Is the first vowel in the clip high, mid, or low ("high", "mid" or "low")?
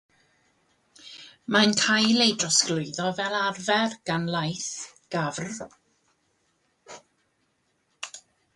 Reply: low